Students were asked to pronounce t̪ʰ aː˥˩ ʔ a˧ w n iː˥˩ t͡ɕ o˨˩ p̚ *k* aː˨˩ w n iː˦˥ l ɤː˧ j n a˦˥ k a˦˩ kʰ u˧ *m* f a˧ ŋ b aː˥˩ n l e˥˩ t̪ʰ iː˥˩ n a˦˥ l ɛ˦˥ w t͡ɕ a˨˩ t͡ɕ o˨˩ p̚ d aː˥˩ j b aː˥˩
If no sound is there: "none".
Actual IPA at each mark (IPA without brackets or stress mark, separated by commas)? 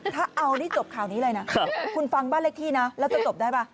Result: kʰ, n